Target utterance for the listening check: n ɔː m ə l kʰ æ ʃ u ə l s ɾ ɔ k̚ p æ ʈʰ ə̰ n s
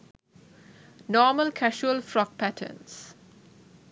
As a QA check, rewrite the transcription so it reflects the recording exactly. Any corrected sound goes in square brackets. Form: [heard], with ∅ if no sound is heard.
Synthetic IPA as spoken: n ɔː m ə l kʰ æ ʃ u ə l [f] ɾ ɔ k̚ p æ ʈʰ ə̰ n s